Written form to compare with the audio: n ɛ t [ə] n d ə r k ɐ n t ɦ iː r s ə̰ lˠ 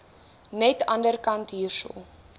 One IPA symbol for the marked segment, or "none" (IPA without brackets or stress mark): ɐ